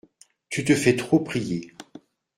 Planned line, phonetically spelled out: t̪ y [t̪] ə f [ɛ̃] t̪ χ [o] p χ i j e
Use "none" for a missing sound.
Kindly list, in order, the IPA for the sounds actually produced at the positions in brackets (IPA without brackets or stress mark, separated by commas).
t̪, ɛ, o